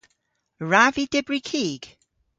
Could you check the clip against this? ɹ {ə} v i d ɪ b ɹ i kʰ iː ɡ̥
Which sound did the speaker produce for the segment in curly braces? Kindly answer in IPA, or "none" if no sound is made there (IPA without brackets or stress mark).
a